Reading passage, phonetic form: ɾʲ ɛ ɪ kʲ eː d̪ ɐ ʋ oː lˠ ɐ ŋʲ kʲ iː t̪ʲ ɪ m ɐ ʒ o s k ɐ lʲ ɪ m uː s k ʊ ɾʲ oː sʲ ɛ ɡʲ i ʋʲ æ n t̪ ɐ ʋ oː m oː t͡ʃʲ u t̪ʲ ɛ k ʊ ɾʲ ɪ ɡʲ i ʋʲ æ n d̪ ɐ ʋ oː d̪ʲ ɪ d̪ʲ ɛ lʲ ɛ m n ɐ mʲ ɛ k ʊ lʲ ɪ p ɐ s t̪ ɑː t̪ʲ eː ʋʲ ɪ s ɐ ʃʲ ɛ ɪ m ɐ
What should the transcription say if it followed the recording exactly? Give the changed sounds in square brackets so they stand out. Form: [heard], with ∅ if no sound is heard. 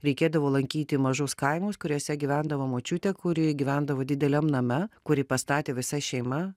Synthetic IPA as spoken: ɾʲ ɛ ɪ kʲ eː d̪ ɐ ʋ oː lˠ ɐ ŋʲ kʲ iː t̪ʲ ɪ m ɐ ʒ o s k ɐ [∅] ɪ m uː s k ʊ ɾʲ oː sʲ ɛ ɡʲ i ʋʲ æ n [d̪] ɐ ʋ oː m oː t͡ʃʲ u t̪ʲ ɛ k ʊ ɾʲ ɪ ɡʲ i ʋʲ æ n d̪ ɐ ʋ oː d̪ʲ ɪ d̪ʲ ɛ lʲ ɛ m n ɐ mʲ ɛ k ʊ [ɾʲ] ɪ p ɐ s t̪ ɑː t̪ʲ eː ʋʲ ɪ s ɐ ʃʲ ɛ ɪ m ɐ